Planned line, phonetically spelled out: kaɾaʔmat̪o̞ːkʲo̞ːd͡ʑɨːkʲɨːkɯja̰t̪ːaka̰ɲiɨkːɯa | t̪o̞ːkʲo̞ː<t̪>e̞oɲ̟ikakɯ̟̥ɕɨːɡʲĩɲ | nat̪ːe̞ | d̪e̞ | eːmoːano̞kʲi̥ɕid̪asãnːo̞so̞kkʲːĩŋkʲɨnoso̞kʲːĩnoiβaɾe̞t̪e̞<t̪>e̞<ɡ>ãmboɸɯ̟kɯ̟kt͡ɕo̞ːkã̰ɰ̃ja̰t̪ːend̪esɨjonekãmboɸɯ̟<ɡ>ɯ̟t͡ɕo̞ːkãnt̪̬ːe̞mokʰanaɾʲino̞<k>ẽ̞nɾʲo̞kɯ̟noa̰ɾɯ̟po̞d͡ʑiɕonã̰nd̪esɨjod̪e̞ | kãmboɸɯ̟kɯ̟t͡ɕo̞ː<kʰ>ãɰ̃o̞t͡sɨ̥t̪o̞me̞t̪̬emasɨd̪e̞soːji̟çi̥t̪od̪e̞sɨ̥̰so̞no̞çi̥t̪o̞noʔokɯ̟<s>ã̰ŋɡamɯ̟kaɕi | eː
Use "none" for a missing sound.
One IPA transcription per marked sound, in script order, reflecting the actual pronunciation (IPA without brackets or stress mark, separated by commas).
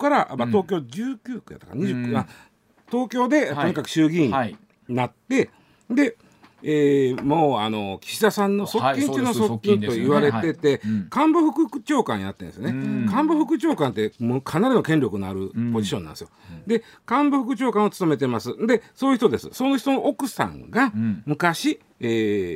d̪, t̪, k, k, k, k, s